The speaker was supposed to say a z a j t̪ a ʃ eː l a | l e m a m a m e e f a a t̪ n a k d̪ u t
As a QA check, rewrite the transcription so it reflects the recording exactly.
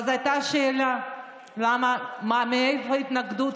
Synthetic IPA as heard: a z a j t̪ a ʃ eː l a | l a m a m a m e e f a i t̪ n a ɡ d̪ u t